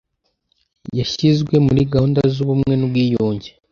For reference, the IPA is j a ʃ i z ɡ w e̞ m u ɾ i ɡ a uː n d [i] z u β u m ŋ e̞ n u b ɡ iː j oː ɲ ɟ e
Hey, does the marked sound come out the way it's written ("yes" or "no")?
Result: no